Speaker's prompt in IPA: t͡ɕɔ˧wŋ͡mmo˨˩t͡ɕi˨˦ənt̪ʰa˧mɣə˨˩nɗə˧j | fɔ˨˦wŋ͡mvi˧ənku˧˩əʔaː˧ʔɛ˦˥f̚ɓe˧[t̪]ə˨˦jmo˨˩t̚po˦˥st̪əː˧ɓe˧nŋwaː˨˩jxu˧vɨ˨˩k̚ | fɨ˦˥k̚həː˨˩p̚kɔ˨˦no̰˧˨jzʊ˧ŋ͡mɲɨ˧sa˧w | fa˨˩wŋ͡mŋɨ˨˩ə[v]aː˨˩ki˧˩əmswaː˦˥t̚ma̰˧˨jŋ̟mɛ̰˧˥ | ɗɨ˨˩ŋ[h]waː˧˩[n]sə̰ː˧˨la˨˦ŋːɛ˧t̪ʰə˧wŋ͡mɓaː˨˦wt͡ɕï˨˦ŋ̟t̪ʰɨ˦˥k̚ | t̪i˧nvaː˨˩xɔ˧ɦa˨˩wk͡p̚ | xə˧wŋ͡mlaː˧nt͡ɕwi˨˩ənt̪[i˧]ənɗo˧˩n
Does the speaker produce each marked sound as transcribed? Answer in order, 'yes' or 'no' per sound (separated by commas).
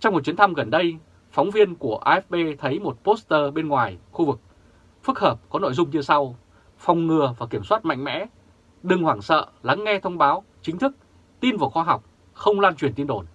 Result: no, yes, yes, no, yes